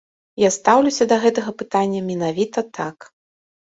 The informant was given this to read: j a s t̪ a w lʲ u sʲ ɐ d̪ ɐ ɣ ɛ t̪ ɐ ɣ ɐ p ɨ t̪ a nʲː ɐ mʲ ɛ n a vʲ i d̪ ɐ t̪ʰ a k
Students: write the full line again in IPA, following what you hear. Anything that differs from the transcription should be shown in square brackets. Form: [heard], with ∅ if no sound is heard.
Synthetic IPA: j a s t̪ a w lʲ u sʲ ɐ d̪ ɐ ɣ ɛ t̪ ɐ ɣ ɐ p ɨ t̪ a nʲː ɐ mʲ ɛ n a vʲ i [t̪] ɐ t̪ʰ a k